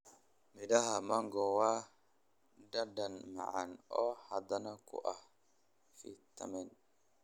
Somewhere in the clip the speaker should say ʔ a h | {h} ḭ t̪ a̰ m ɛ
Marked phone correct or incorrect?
incorrect